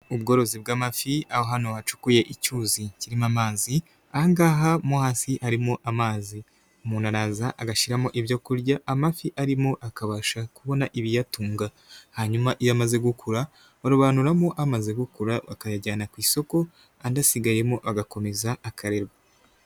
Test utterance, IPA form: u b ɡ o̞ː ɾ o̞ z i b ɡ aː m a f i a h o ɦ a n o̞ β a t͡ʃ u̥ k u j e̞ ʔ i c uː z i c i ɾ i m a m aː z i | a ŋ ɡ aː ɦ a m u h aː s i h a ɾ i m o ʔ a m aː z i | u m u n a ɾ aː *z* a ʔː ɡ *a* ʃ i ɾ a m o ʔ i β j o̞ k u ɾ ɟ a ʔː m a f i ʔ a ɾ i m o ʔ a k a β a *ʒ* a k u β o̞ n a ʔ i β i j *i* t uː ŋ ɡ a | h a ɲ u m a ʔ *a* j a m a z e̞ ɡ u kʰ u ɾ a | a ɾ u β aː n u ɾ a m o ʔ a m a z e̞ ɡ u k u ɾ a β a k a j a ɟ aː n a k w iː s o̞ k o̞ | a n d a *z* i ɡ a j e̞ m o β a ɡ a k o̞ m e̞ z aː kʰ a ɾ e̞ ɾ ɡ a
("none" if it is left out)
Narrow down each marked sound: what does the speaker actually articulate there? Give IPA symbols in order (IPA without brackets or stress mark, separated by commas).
z, a, ʃ, a, i, s